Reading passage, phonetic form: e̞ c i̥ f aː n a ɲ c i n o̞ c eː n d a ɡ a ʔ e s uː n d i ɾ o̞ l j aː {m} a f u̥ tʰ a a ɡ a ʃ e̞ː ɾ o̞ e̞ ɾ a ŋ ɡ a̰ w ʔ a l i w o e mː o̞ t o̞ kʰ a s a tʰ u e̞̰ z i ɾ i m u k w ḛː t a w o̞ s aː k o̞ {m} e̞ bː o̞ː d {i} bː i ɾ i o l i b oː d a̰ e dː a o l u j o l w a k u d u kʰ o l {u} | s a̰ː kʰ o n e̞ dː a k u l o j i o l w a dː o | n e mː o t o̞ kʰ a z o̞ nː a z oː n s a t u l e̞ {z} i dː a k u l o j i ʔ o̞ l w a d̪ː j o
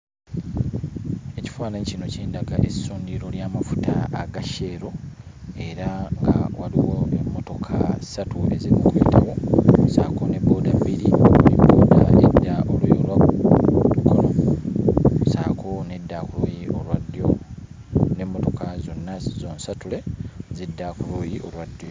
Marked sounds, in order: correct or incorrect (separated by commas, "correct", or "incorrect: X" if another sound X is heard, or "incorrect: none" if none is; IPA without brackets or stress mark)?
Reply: correct, incorrect: n, incorrect: a, incorrect: o, correct